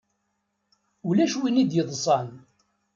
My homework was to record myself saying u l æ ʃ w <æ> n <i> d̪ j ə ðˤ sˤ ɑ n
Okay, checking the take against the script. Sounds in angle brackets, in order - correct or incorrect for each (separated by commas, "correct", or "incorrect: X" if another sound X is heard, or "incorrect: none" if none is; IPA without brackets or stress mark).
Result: incorrect: i, correct